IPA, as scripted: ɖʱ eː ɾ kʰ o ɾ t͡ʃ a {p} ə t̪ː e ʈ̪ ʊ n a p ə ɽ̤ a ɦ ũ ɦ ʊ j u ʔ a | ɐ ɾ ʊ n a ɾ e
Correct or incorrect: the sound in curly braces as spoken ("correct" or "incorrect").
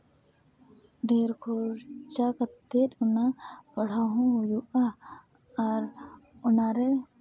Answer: incorrect